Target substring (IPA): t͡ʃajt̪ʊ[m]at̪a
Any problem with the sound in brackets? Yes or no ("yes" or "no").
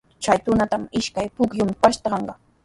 yes